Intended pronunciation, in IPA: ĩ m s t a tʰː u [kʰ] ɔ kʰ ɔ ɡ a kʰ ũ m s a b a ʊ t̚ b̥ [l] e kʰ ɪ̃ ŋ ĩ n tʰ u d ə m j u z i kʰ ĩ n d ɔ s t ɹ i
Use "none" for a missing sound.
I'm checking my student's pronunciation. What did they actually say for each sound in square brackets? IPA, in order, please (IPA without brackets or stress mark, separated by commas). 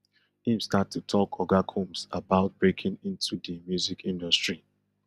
tʰ, ɹ